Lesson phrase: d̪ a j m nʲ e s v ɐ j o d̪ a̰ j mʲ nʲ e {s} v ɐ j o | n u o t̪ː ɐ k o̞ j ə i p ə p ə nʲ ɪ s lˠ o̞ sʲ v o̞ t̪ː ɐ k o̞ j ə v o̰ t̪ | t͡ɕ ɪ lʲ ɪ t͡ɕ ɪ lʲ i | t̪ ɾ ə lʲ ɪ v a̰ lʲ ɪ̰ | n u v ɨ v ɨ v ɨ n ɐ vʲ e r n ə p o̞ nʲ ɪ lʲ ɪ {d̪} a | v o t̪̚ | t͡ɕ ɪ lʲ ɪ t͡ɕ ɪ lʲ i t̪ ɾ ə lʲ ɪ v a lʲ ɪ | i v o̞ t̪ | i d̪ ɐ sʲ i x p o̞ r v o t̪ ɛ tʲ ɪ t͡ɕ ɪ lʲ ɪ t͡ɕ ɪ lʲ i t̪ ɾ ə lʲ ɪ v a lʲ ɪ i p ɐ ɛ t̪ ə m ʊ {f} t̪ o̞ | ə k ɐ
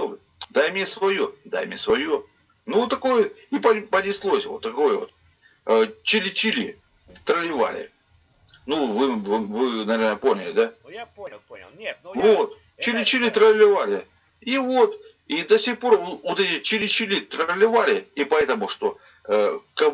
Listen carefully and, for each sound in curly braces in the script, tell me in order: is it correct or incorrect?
correct, correct, incorrect: ʂ

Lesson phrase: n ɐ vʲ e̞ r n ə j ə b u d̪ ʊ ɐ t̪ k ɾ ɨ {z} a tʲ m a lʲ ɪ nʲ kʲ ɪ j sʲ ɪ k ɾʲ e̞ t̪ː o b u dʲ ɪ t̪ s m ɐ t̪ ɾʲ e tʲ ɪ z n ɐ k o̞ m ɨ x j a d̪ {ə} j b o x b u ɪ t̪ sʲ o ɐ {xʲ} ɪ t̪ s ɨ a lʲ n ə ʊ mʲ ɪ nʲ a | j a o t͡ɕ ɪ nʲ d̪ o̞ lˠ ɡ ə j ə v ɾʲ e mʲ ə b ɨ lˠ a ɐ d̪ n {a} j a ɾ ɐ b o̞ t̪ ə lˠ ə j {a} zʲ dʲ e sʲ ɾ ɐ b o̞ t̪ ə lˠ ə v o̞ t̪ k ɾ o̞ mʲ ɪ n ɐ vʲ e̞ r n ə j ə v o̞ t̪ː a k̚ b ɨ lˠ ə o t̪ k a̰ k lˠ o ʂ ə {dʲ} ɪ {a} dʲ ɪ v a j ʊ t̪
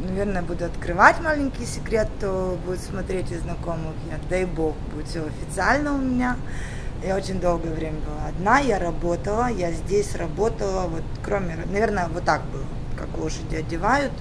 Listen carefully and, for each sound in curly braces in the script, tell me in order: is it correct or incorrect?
incorrect: v, incorrect: a, incorrect: fʲ, correct, correct, correct, incorrect: ɐ

